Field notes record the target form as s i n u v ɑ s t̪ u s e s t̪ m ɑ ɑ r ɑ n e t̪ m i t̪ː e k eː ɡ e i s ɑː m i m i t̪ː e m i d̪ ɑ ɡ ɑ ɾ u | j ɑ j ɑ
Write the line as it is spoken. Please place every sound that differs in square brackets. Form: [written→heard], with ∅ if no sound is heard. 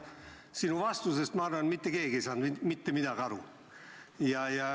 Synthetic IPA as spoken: s i n u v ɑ s t̪ u s e s t̪ m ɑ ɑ r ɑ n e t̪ m i t̪ː e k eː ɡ e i s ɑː [m→n] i m i t̪ː e m i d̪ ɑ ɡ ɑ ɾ u | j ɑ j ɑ